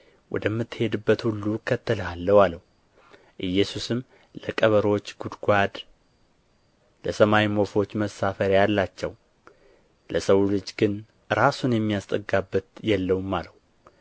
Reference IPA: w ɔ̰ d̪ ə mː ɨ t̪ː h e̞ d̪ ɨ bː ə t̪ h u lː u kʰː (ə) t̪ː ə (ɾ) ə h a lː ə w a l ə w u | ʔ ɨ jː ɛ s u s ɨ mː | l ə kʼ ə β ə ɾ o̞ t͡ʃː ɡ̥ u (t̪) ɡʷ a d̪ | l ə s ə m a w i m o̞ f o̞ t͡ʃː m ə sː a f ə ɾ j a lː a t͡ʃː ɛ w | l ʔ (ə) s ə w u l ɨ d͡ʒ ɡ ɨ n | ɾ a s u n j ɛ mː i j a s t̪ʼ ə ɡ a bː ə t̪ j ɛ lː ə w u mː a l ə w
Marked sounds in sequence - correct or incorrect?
correct, incorrect: l, incorrect: d̪, correct

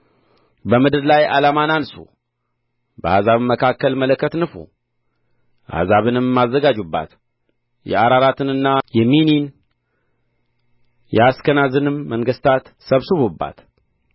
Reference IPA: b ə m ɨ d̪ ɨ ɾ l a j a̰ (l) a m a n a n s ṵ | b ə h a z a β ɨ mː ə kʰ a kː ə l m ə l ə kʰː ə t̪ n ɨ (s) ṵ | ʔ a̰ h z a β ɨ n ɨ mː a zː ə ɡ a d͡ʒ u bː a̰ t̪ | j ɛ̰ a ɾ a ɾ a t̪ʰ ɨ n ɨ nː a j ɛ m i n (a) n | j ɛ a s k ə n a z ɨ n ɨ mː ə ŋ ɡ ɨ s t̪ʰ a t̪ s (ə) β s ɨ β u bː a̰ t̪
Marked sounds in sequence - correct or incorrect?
correct, incorrect: f, incorrect: i, correct

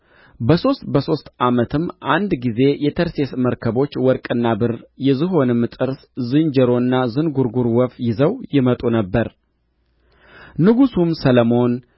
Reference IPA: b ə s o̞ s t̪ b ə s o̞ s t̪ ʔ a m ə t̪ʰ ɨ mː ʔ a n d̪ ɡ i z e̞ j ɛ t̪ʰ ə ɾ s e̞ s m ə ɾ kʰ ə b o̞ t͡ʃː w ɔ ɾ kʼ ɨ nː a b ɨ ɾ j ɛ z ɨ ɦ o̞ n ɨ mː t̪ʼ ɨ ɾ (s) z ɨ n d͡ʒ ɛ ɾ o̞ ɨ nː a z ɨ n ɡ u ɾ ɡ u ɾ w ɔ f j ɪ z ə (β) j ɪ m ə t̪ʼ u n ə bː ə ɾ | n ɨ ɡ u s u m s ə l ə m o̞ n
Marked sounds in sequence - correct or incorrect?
correct, incorrect: w

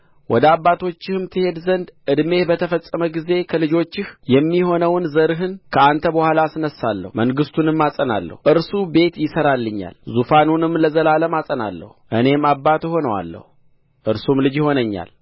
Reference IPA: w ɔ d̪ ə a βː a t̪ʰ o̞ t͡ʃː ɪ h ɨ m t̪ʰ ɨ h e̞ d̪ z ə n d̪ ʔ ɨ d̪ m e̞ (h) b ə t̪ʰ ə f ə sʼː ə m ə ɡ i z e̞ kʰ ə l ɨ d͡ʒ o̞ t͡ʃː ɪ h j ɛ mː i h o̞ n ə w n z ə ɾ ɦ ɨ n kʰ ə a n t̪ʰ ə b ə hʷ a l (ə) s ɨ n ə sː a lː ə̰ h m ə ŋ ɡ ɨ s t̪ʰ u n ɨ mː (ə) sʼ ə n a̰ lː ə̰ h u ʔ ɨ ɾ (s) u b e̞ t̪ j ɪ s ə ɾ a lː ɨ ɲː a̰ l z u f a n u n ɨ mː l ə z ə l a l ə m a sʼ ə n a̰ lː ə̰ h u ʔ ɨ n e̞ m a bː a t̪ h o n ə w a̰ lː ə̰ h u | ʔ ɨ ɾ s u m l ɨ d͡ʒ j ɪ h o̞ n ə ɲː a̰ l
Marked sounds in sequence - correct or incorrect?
correct, incorrect: a, incorrect: a, correct

